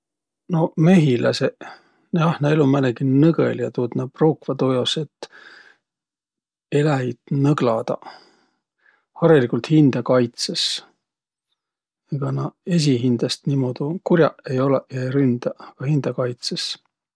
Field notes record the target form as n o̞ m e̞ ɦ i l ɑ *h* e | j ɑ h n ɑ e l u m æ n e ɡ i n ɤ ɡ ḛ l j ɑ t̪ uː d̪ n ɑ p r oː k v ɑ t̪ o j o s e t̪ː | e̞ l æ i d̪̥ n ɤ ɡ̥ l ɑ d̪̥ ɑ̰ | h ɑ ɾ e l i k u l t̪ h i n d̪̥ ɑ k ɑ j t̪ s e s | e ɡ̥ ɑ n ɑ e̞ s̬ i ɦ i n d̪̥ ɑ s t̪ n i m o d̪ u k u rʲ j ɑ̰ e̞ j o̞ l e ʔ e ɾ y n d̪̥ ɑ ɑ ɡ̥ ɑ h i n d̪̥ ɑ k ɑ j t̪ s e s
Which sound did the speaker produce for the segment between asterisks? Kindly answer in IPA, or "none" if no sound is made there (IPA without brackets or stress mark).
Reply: s